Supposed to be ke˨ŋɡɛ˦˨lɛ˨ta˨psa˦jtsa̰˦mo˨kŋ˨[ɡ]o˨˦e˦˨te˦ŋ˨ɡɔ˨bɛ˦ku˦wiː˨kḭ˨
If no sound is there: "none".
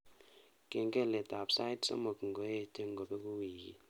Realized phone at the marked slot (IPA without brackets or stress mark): ɡ